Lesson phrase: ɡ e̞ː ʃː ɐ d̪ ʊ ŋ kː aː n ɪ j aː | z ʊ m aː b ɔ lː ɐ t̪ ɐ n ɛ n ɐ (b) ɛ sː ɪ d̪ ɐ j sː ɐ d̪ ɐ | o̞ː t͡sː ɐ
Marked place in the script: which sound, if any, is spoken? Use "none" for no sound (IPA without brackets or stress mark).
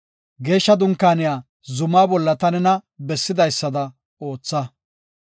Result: b